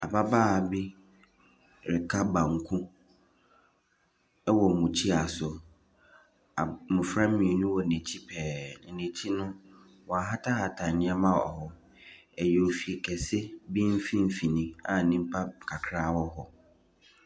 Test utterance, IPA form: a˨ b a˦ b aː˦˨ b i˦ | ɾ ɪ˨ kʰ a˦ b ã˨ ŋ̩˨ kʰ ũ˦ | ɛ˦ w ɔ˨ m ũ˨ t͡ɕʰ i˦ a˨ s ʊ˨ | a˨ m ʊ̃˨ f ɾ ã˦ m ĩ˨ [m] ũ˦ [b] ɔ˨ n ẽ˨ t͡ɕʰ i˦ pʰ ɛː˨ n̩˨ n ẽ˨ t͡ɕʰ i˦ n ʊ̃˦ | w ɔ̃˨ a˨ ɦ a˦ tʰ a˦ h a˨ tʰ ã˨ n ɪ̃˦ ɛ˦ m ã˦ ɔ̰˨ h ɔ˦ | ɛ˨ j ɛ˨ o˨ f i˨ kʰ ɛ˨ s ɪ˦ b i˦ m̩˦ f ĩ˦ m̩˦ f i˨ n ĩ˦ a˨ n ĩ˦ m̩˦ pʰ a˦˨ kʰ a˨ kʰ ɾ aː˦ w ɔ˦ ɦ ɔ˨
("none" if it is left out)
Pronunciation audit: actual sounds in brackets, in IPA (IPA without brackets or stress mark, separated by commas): n, w